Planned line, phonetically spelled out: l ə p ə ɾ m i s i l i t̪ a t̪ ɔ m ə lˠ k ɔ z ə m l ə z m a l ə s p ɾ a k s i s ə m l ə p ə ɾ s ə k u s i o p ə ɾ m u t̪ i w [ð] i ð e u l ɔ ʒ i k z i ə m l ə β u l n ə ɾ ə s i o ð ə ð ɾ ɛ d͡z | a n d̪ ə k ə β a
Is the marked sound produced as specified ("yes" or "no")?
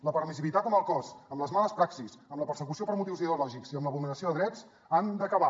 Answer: no